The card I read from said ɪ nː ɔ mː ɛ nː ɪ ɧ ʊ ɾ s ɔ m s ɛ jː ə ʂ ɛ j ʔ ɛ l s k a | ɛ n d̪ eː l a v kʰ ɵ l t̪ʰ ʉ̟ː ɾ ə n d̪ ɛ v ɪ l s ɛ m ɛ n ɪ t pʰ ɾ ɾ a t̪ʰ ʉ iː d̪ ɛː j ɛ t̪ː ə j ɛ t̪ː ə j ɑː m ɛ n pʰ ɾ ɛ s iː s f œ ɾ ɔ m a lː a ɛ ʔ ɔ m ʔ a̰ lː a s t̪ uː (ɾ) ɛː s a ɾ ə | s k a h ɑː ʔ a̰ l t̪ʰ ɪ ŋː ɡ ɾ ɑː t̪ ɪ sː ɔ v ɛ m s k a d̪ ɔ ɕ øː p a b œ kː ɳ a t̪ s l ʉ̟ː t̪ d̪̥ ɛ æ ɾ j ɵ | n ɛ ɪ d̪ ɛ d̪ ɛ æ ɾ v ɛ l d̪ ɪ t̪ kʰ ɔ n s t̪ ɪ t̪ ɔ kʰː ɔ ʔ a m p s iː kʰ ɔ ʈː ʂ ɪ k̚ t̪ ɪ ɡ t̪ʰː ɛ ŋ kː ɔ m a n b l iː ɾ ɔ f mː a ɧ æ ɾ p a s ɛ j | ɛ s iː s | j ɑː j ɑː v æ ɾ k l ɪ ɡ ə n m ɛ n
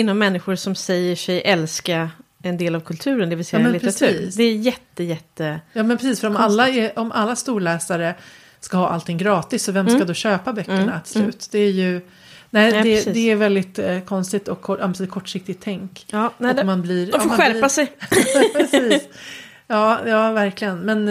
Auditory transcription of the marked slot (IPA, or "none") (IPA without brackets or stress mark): ɭ